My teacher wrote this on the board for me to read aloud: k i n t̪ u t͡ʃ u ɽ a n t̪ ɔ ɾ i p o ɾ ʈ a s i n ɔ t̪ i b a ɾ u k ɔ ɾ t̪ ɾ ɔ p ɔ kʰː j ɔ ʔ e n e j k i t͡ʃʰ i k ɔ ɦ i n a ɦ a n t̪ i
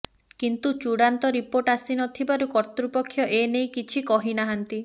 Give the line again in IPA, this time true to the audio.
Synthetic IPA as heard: k i n t̪ u t͡ʃ u ɽ a n t̪ ɔ ɾ i p o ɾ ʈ a s i n ɔ t̪ʰ i b a ɾ u k ɔ ɾ t̪ ɾ u p ɔ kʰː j ɔ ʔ e n e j k i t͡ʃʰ i k ɔ ɦ i n a ɦ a n t̪ i

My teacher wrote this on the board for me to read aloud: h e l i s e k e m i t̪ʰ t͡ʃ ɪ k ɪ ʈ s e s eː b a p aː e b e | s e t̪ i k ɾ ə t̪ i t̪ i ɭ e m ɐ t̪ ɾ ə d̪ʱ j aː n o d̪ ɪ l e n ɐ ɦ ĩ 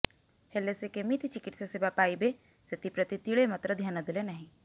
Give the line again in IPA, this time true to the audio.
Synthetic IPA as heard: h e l e s e k e m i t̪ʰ t͡ʃ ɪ k ɪ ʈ s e s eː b a p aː i b e | s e t̪ i p ɾ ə t̪ i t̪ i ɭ e m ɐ t̪ ɾ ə d̪ʱ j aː n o d̪ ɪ l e n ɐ ɦ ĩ

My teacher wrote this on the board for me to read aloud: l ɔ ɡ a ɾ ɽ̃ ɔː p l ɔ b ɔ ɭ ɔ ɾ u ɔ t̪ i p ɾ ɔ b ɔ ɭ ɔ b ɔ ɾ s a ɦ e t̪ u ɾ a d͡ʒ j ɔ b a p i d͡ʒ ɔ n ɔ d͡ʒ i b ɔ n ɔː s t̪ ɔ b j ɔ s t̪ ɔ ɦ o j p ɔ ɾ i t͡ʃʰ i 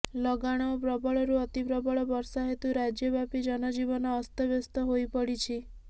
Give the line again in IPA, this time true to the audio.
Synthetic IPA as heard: l ɔ ɡ a ɽ̃ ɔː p ɾ ɔ b ɔ ɭ ɔ ɾ u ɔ t̪ i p ɾ ɔ b ɔ ɭ ɔ b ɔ ɾ s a ɦ e t̪ u ɾ a d͡ʒ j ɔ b a p i d͡ʒ ɔ n ɔ d͡ʒ i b ɔ n ɔː s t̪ ɔ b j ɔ s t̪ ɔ ɦ o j p ɔ ɽ i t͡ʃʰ i

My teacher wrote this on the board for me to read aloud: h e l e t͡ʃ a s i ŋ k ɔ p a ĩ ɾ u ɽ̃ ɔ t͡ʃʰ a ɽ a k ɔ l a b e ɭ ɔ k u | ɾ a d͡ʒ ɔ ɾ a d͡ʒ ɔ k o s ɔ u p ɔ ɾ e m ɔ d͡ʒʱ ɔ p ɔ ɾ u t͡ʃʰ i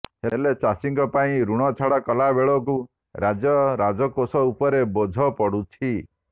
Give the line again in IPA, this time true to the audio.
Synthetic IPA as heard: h e l e t͡ʃ a s i ŋ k ɔ p a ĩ ɾ u ɽ̃ ɔ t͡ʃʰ a ɽ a k ɔ l a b e ɭ ɔ k u | ɾ a d͡ʒ ɔ ɾ a d͡ʒ ɔ k o s ɔ u p ɔ ɾ e b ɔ d͡ʒʱ ɔ p ɔ ɽ u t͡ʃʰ i

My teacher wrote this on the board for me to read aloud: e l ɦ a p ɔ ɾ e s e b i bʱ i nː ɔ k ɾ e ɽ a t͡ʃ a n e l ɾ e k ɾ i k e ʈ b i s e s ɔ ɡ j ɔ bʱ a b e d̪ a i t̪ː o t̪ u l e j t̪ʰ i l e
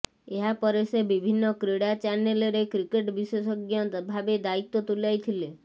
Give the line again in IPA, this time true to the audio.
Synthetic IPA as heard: e ɦ a p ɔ ɾ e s e b i bʱ i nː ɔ k ɾ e ɽ a t͡ʃ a n e l ɾ e k ɾ i k e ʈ b i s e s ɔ ɡ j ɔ bʱ a b e d̪ a i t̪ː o t̪ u l a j t̪ʰ i l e

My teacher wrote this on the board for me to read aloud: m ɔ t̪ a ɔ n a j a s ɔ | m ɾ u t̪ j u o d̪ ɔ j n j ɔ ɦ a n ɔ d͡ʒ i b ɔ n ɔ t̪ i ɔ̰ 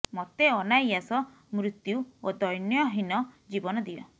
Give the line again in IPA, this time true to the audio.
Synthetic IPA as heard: m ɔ t̪ e ɔ n a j a s ɔ | m ɾ u t̪ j u o d̪ ɔ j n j ɔ ɦ i n ɔ d͡ʒ i b ɔ n ɔ d̪ i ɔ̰

